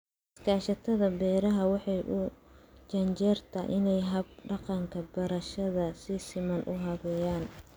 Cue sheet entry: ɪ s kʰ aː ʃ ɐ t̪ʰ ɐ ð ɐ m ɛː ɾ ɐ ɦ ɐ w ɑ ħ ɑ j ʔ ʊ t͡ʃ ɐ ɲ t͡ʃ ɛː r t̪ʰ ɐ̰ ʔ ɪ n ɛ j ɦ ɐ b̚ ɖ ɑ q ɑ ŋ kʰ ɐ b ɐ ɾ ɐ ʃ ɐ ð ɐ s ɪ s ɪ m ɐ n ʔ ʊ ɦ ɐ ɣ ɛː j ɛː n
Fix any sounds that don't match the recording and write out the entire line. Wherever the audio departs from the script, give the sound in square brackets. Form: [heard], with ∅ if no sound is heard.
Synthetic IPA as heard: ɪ s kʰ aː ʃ ɐ t̪ʰ ɐ ð ɐ [b] ɛː ɾ ɐ ɦ ɐ w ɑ ħ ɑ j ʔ ʊ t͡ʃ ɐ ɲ t͡ʃ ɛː r t̪ʰ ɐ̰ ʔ ɪ n ɛ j ɦ ɐ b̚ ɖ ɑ q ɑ ŋ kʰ ɐ b ɐ ɾ ɐ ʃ ɐ ð ɐ s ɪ s ɪ m ɐ n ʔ ʊ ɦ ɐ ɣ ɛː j [aː] n